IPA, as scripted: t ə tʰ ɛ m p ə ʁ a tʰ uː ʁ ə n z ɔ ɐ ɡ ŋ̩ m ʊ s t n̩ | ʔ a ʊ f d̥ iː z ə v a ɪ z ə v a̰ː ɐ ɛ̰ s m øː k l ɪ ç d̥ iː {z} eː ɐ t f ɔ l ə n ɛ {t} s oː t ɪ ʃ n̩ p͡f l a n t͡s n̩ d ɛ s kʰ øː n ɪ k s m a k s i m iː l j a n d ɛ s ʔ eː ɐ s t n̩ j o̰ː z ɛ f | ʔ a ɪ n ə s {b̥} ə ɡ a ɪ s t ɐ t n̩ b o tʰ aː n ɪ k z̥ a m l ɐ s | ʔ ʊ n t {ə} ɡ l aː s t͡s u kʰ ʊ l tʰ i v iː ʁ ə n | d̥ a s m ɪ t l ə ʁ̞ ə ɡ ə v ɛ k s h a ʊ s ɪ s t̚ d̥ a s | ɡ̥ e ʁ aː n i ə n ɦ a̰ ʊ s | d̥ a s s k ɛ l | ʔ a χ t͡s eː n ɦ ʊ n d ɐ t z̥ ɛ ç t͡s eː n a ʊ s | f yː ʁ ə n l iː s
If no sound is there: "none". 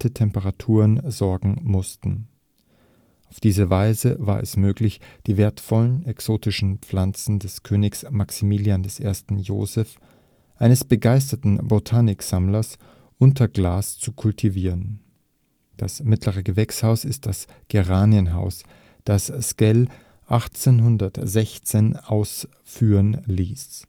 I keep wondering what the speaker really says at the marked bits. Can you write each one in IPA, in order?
v, k, b̥, ɐ

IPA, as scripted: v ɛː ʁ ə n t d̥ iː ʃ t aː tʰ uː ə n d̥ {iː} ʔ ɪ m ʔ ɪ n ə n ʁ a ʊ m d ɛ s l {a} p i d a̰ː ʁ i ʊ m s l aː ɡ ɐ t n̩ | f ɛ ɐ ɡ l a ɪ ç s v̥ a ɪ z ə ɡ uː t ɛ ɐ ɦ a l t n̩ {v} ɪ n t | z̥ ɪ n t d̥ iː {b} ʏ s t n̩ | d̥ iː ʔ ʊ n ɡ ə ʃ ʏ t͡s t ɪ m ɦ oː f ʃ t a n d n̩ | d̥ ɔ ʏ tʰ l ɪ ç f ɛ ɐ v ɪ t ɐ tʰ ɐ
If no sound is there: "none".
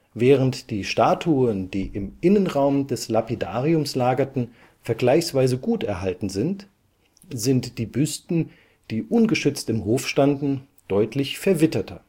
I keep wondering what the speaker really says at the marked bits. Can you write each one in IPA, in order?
iː, a, z, b

